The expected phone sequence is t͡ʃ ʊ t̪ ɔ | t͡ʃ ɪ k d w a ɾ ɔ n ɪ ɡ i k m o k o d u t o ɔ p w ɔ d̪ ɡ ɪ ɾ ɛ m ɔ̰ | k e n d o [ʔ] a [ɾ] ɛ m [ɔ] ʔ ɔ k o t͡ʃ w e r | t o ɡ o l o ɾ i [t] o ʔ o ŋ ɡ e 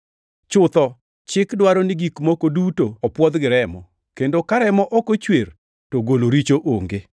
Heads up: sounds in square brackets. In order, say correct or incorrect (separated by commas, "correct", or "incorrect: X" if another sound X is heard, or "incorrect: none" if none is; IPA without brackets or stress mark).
incorrect: k, correct, correct, incorrect: t͡ʃ